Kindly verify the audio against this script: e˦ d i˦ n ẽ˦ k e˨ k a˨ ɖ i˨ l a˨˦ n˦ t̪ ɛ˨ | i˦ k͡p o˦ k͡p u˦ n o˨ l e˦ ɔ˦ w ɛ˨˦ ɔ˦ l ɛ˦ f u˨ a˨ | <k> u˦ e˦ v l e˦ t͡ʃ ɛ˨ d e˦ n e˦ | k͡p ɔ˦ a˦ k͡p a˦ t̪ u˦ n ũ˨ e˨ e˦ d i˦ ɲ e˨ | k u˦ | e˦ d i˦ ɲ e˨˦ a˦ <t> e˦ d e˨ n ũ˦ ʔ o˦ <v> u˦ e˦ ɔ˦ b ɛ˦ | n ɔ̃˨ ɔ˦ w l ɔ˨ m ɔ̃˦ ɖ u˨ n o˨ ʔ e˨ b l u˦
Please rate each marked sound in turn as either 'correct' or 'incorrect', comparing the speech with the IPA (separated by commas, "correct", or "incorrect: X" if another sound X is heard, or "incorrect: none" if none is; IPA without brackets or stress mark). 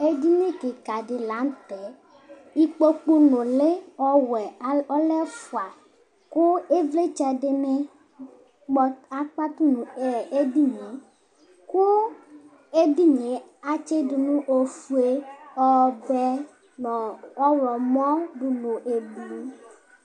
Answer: correct, incorrect: t͡ʃ, incorrect: f